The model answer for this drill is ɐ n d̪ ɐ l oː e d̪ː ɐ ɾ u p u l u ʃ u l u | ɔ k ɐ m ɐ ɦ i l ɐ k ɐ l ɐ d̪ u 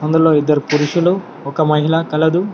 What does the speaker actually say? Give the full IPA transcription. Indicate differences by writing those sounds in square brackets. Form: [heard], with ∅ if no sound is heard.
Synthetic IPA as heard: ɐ n d̪ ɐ l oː [i] d̪ː ɐ ɾ u p u [ɾ] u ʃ u l u | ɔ k ɐ m ɐ ɦ i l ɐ k ɐ l ɐ d̪ u